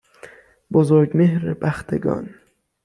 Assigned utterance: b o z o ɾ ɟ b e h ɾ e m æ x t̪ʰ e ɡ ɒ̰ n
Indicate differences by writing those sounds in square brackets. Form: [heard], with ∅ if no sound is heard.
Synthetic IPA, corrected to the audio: b o z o ɾ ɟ [m] e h ɾ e [b] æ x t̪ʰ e ɡ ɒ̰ n